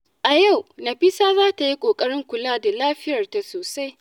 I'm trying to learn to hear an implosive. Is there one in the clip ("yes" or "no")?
no